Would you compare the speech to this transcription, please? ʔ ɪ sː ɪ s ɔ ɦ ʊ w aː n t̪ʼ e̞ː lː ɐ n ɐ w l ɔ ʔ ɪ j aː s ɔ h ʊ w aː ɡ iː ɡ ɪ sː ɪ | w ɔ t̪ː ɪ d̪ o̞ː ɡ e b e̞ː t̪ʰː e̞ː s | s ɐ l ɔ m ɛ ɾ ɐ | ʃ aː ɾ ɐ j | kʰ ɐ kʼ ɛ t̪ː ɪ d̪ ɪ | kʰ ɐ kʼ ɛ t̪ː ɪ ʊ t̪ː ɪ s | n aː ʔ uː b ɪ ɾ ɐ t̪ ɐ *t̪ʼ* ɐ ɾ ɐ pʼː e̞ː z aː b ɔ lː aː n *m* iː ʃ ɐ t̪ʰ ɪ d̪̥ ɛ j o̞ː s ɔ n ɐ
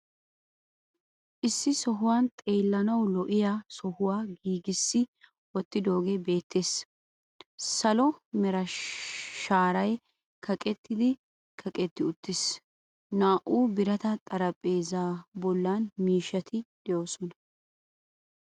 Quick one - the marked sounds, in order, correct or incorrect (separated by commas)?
correct, correct